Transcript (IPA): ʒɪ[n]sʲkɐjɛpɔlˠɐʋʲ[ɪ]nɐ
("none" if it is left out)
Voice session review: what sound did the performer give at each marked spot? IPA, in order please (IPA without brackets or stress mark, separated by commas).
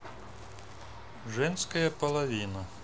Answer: n, i